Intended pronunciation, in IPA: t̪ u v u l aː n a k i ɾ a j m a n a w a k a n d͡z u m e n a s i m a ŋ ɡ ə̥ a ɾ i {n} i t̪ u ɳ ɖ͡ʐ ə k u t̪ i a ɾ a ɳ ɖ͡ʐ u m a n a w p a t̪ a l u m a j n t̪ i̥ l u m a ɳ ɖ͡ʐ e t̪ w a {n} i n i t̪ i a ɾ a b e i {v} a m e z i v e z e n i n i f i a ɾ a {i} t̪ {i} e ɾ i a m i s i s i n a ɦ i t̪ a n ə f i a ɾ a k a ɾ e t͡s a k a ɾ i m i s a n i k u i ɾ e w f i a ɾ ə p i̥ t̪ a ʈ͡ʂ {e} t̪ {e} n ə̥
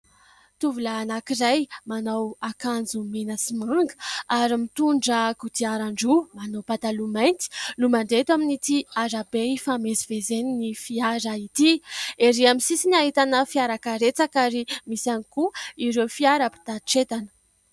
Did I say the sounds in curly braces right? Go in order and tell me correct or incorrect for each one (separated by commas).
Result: incorrect, incorrect, incorrect, correct, correct, correct, incorrect